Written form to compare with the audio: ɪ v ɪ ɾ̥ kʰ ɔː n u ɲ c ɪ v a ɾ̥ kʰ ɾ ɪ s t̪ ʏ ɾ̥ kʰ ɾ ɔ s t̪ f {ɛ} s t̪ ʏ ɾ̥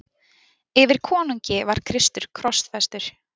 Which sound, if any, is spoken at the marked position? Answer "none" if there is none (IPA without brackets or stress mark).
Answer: ɛ